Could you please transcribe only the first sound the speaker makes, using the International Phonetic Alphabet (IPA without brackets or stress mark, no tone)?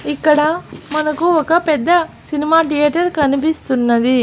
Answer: i